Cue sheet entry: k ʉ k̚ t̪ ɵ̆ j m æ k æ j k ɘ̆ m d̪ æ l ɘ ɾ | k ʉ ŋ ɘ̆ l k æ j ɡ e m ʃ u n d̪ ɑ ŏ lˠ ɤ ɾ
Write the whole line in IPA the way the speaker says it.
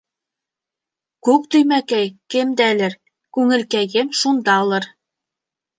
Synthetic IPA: k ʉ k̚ t̪ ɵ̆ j m æ k æ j k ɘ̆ m d̪ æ l ɘ ɾ | k ʉ ŋ ɘ̆ l k æ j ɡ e m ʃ u n d̪ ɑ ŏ lˠ ɤ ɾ